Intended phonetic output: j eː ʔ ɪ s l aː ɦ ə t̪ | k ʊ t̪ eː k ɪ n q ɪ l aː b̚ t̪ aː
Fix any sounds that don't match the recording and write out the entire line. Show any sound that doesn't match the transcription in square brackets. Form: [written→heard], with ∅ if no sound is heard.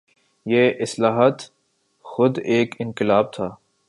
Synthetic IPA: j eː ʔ ɪ s l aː ɦ ə t̪ | [k→x] ʊ [t̪→d̪] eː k ɪ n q ɪ l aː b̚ [t̪→t̪ʰ] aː